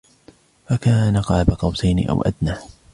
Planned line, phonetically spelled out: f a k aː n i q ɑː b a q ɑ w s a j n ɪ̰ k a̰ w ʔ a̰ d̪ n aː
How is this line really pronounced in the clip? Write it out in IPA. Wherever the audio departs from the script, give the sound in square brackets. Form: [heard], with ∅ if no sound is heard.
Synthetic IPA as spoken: f a k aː n [a] q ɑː b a q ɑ w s a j n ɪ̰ [ʔ] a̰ w ʔ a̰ d̪ n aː

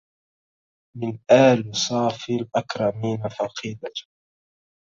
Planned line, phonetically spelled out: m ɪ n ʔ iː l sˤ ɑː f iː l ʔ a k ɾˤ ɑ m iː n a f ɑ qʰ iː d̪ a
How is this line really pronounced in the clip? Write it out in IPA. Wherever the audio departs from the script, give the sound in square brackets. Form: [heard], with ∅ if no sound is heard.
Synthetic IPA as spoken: m ɪ n ʔ [aː] l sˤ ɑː f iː l ʔ a k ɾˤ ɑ m iː n a f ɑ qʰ iː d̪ a

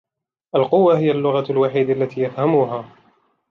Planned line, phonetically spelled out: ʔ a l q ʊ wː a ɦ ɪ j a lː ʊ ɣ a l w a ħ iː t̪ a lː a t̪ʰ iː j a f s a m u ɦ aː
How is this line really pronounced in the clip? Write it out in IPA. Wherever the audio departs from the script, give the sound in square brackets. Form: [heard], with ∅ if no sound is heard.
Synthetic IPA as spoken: ʔ a l q ʊ wː a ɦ ɪ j a lː ʊ ɣ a l w a ħ iː [d̪] a lː a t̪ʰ iː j a f [h] a m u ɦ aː

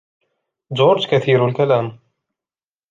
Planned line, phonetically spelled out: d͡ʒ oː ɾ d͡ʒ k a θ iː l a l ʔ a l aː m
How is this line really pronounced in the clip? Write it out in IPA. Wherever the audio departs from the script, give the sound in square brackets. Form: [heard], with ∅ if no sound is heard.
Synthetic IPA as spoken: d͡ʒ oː ɾ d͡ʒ k a θ iː [ɾ] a l [k] a l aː m

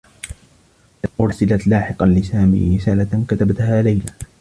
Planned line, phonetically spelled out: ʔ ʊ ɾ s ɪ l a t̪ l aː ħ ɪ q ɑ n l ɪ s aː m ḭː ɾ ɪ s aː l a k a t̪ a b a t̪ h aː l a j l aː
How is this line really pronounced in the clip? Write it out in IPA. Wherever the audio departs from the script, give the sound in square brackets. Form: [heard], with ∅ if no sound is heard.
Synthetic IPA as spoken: ʔ ʊ ɾ s ɪ l a t̪ l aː ħ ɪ q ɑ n l ɪ s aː m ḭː ɾ ɪ s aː l a k a t̪ a b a t̪ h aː l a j l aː

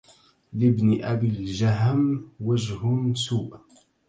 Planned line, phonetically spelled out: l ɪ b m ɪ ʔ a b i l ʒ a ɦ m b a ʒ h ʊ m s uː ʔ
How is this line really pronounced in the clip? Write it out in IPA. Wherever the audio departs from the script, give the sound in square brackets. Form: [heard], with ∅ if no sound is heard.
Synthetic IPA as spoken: l ɪ b [n] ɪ ʔ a b i l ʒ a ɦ m [w] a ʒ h ʊ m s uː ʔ

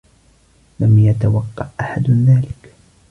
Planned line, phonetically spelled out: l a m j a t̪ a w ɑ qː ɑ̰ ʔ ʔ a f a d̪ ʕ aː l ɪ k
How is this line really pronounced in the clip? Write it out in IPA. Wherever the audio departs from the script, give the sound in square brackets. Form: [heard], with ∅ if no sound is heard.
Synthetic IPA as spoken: l a m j a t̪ a w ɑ qː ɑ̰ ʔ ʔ a [ħ] a d̪ [ð] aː l ɪ k

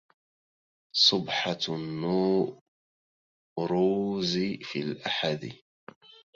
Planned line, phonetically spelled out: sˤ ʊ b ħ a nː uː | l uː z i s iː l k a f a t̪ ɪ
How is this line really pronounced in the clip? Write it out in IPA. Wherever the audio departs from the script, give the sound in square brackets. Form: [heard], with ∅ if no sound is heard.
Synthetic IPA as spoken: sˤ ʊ b ħ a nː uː | [ɾ] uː z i [f] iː l [ʔ] a [ħ] a [d̪] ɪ

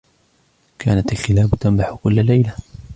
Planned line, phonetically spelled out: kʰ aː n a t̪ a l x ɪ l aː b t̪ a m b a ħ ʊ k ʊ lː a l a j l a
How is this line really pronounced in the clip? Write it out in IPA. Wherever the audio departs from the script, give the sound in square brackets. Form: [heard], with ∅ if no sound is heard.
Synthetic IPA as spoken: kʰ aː n a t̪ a l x ɪ l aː b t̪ a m b a ħ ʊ k ʊ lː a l a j l a

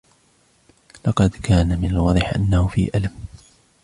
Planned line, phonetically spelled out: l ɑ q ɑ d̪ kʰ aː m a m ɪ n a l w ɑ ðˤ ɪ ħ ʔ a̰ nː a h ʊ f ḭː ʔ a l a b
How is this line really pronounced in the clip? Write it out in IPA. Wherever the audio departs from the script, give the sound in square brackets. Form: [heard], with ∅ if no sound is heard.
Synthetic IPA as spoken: l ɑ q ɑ d̪ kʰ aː [n] a m ɪ n a l w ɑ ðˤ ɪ ħ ʔ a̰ nː a h ʊ f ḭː ʔ a l a [m]

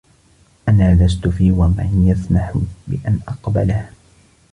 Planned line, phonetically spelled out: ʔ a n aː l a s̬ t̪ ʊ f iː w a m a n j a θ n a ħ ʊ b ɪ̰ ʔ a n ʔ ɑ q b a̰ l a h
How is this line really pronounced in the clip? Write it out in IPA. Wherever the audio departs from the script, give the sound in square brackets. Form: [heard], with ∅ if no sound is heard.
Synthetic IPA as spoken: ʔ a n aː l a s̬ t̪ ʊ f iː w a m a n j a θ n a ħ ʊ b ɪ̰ ʔ a n ʔ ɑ q b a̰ l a h

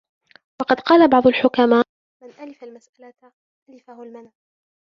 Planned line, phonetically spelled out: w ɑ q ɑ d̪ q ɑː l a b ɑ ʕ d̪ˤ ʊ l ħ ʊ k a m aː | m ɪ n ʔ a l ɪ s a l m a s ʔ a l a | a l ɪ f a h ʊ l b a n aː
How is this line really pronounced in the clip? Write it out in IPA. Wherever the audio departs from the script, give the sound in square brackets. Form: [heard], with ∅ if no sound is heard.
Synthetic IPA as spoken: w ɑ q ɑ d̪ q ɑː l a b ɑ ʕ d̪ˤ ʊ l ħ ʊ k a m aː | m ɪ n ʔ a l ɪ [f] a l m a s ʔ a l a | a l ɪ f a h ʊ l [m] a n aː

